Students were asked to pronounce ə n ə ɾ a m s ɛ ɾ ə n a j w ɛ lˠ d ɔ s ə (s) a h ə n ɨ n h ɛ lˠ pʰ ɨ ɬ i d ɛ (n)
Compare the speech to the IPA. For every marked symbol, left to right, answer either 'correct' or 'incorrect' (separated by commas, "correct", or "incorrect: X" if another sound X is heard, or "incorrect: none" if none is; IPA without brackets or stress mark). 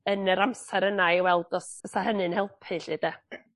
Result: correct, incorrect: none